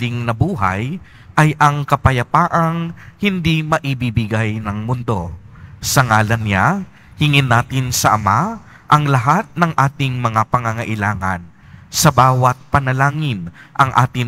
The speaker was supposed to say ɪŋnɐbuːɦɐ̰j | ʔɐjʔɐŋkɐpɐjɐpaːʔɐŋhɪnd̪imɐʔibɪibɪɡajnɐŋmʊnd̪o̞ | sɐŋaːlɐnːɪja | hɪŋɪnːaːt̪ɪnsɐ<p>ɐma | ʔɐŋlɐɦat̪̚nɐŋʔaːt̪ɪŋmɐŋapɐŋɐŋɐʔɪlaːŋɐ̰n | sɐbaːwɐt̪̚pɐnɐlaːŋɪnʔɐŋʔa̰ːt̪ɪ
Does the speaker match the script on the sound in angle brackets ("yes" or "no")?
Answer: no